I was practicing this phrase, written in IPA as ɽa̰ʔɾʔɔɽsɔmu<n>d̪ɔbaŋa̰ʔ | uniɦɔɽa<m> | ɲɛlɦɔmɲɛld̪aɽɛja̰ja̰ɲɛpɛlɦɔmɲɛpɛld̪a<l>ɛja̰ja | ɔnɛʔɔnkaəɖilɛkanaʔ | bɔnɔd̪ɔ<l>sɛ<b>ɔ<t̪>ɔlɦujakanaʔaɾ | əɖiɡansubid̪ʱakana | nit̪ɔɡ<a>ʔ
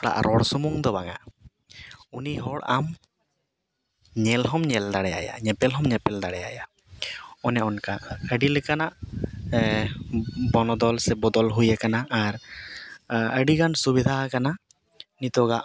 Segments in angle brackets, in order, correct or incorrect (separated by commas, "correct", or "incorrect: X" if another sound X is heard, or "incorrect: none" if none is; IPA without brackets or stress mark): incorrect: ŋ, correct, incorrect: ɽ, correct, correct, incorrect: d̪, correct